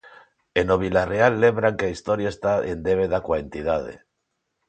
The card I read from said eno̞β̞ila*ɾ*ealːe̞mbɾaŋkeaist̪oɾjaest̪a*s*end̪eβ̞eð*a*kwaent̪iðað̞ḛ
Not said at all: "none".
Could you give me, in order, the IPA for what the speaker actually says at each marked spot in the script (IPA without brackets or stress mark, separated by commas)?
r, none, a